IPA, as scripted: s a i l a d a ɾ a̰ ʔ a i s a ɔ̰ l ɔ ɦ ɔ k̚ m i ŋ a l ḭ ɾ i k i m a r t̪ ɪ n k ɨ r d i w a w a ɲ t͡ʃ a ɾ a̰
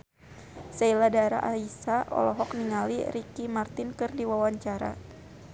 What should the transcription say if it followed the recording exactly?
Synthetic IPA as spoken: s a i l a d a ɾ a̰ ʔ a i s a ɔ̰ l ɔ ɦ ɔ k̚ n i ŋ a l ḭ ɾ i k i m a r t̪ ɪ n k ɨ r d i w a w a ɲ t͡ʃ a ɾ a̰